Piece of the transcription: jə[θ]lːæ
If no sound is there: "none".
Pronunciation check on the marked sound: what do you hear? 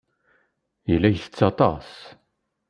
none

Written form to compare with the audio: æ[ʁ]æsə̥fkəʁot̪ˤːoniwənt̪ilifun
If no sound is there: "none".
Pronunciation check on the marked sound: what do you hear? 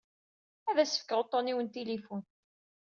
ð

